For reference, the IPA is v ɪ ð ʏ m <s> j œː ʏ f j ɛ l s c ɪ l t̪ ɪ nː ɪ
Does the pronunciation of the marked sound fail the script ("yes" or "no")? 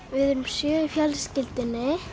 no